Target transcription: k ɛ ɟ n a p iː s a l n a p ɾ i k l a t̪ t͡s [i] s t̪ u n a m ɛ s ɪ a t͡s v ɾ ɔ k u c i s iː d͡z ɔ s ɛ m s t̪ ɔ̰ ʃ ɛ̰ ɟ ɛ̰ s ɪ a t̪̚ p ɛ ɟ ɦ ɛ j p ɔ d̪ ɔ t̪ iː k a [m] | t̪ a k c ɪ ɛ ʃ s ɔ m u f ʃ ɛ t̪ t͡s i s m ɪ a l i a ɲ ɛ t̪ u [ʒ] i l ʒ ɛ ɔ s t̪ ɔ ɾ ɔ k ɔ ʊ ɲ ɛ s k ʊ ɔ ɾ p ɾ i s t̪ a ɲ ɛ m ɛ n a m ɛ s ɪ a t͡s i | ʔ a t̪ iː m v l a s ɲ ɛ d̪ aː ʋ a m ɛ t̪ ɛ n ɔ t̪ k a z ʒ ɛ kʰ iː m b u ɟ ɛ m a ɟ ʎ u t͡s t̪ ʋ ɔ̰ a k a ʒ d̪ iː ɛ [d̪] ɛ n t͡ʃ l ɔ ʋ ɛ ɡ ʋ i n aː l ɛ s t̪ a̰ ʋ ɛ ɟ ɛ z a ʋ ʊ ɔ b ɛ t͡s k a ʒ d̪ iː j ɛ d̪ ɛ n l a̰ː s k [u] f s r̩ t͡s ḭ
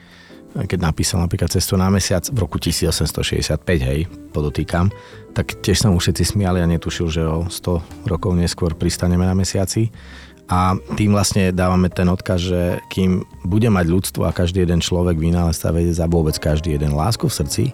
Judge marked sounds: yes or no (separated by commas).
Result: no, yes, no, yes, yes